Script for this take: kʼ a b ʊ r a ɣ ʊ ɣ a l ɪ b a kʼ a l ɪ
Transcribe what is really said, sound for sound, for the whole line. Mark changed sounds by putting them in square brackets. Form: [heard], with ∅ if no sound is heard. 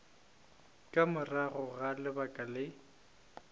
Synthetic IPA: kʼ a [m] ʊ r a ɣ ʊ ɣ a l ɪ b a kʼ a l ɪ